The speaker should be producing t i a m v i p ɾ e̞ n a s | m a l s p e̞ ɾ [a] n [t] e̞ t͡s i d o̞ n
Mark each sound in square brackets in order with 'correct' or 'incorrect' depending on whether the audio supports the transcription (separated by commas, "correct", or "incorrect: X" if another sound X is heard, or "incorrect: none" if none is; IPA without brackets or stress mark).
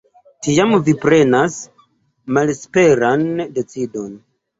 correct, incorrect: d